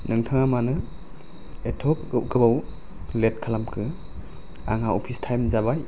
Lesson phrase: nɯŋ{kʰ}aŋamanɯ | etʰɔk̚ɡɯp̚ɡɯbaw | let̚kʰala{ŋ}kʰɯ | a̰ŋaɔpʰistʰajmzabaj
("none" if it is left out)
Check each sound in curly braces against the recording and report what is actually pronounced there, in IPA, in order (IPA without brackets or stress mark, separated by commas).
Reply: tʰ, m